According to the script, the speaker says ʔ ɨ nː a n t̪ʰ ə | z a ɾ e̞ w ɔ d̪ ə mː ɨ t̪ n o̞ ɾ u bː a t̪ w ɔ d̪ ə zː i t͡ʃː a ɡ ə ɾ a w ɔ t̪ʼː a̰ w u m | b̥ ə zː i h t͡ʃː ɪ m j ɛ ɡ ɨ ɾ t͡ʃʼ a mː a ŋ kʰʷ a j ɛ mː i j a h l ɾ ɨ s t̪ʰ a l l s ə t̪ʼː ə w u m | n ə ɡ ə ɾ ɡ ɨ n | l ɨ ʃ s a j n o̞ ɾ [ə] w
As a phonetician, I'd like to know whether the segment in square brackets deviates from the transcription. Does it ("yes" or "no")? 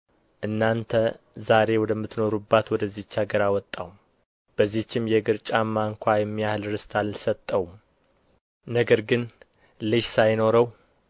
no